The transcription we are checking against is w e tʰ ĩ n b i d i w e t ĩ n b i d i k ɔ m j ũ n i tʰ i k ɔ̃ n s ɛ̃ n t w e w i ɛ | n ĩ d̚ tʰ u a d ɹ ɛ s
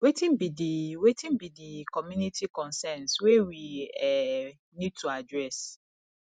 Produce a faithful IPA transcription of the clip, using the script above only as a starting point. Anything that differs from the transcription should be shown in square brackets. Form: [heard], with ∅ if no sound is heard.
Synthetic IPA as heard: w e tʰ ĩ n b i d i w e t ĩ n b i d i k ɔ m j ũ n i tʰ i k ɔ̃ n s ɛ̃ n [s] w e w i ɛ | n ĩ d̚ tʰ u a d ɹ ɛ s